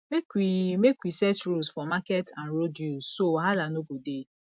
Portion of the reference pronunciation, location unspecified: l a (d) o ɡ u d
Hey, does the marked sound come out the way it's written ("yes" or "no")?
no